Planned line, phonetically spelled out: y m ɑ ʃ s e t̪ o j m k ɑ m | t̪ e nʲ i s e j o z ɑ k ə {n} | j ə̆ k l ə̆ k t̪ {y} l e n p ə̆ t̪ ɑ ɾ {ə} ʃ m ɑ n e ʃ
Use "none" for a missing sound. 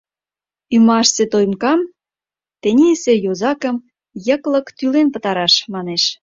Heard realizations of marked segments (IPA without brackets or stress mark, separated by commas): m, y, ɑ